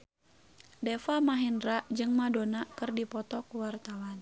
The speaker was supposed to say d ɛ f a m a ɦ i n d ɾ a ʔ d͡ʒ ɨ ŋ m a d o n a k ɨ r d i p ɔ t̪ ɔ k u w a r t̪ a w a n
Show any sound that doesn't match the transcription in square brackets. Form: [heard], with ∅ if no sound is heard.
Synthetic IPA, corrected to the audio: d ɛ f a m a ɦ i n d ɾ a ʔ d͡ʒ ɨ ŋ m a d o n a k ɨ r d i p ɔ t̪ ɔ k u w a r t̪ a w a n